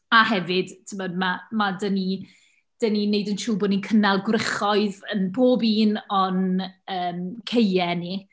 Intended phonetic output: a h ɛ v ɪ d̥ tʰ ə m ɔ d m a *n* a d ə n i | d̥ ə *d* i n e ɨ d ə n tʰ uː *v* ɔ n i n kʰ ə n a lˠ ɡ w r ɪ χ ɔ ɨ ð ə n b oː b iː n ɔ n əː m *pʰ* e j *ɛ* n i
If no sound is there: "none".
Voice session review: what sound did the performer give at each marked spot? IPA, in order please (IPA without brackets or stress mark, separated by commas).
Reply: m, n, b, kʰ, ɛ